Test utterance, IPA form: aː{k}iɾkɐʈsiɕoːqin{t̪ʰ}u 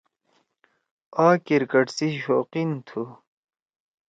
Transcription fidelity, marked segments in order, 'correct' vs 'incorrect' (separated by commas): correct, correct